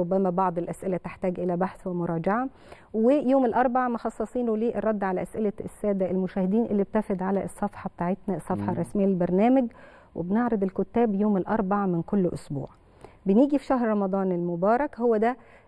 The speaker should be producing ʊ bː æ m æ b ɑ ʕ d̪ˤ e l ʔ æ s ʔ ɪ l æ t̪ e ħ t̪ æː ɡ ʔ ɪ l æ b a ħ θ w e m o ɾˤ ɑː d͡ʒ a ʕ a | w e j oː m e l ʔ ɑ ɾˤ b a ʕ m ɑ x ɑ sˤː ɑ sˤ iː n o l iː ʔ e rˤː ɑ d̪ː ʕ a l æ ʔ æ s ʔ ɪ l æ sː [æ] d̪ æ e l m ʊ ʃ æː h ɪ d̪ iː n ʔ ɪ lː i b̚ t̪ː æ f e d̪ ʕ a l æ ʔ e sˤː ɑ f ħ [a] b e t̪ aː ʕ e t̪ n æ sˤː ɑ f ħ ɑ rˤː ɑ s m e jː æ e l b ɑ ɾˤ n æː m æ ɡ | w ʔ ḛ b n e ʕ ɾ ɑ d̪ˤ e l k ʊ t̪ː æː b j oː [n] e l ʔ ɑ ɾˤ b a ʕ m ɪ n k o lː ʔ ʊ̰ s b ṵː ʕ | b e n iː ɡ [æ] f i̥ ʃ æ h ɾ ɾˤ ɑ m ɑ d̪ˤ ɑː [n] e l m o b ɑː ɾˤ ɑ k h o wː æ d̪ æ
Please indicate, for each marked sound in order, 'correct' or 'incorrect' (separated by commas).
incorrect, incorrect, incorrect, incorrect, correct